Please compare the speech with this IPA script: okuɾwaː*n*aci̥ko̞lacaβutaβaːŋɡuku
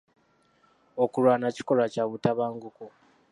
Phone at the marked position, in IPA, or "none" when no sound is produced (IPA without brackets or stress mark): n